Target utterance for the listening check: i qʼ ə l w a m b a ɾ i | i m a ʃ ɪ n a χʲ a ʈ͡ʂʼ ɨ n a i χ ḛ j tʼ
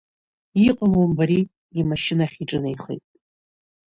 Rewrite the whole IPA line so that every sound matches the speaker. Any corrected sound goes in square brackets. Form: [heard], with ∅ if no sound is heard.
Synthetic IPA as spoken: i qʼ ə l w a m b a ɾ i | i m a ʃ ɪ n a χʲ [i] ʈ͡ʂʼ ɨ n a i χ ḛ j tʼ